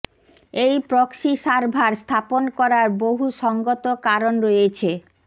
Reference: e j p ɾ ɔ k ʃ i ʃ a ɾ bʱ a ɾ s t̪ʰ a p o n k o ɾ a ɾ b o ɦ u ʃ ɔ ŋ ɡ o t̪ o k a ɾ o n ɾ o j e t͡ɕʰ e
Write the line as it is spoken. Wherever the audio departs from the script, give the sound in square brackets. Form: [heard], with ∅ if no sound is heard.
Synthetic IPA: e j p ɾ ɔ k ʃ i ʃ a ɾ bʱ a ɾ s t̪ʰ a p o n k [ɔ] ɾ a ɾ b o ɦ u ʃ ɔ ŋ ɡ o t̪ o k a ɾ o n ɾ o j e t͡ɕʰ e